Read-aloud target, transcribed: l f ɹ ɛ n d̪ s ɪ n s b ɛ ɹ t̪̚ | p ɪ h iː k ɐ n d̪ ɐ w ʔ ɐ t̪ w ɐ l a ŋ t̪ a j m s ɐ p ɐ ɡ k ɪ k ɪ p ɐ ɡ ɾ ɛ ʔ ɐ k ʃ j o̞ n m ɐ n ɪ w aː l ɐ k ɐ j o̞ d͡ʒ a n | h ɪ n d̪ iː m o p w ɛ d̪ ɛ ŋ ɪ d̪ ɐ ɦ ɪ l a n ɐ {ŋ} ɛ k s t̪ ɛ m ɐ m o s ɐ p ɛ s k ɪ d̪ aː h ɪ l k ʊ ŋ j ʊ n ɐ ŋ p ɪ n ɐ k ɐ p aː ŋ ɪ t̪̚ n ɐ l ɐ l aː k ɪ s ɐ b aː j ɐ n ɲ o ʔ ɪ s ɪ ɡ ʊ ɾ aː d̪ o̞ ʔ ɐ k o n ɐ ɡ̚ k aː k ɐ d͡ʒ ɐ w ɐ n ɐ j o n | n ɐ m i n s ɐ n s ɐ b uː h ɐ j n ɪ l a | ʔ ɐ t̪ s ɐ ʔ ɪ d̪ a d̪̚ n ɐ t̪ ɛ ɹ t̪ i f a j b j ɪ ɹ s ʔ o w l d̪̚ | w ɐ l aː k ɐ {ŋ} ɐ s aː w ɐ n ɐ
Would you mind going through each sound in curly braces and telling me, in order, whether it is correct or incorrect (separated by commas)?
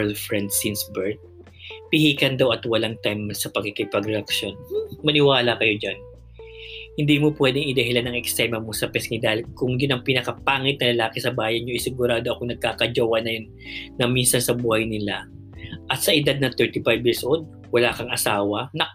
correct, correct